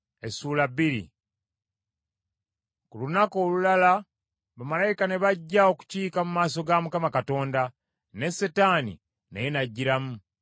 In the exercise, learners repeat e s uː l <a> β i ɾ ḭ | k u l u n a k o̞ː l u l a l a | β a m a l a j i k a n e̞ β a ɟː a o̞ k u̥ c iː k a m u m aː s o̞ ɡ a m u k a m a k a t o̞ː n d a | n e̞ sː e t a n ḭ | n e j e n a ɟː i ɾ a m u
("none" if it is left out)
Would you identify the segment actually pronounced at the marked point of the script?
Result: a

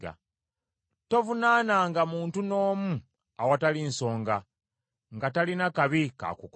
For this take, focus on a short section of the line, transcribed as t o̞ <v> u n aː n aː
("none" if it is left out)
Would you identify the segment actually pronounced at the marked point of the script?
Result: v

